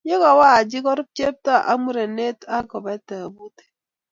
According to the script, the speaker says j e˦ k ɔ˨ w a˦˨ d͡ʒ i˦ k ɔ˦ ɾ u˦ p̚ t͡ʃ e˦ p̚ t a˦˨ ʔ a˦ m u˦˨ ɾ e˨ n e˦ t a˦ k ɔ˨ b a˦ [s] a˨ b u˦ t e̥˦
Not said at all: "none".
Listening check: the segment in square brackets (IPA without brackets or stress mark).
t